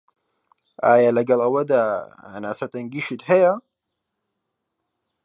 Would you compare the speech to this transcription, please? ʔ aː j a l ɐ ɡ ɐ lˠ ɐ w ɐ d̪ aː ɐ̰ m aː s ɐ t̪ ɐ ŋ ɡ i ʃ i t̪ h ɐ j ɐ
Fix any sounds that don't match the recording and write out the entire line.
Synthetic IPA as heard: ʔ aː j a l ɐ ɡ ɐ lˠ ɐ w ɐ d̪ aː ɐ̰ n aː s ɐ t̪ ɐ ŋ ɡ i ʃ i t̪ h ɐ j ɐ